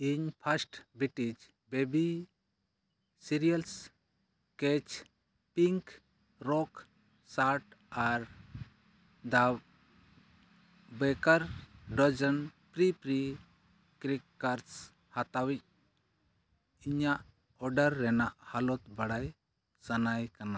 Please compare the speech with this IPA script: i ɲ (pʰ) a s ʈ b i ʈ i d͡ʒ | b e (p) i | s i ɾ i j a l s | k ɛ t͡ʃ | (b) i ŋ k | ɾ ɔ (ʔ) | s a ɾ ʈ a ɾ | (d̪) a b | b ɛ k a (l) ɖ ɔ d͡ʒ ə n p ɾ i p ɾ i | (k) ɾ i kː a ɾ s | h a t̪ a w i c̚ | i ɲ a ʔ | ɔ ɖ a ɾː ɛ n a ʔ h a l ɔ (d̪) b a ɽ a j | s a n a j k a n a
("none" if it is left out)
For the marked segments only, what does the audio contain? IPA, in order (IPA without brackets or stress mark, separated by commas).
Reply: pʰ, b, p, k, d̪, ɾ, k, t̪